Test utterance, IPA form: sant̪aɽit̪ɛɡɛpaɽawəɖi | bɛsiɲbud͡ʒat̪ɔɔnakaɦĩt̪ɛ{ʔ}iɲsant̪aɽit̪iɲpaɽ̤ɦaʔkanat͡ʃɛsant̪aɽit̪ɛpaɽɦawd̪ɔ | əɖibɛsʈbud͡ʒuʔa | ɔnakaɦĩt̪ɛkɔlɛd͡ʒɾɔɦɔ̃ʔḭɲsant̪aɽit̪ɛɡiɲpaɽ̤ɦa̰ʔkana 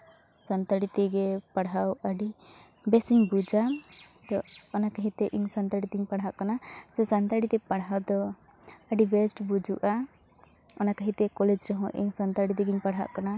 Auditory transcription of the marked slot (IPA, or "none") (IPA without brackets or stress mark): ʔ